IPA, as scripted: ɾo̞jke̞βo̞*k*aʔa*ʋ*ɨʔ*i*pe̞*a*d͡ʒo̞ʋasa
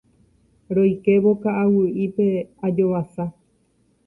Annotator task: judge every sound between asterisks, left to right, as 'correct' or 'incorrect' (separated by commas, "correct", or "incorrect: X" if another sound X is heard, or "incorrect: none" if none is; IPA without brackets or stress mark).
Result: correct, incorrect: w, correct, correct